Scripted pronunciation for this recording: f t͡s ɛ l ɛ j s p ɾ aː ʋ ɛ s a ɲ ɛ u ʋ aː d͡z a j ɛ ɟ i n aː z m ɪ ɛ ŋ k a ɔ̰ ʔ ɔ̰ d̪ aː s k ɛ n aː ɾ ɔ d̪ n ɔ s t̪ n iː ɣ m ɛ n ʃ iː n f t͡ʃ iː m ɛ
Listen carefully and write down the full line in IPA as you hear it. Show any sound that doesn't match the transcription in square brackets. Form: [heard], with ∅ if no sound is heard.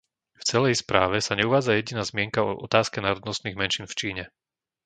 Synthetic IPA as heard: f t͡s ɛ l ɛ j s p ɾ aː ʋ ɛ s a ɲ ɛ u ʋ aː d͡z a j ɛ ɟ i n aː z m ɪ ɛ ŋ k a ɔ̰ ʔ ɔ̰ [t̪] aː s k ɛ n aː ɾ ɔ d̪ n ɔ s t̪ n iː ɣ m ɛ n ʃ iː n f t͡ʃ iː [ɲ] ɛ